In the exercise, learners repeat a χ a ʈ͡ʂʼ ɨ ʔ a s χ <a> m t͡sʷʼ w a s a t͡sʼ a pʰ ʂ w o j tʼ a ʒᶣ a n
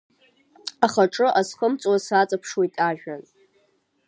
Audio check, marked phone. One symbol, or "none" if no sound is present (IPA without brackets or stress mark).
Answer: ə